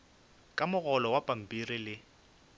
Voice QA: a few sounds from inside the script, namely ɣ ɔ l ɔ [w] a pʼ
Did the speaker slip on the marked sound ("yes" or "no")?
no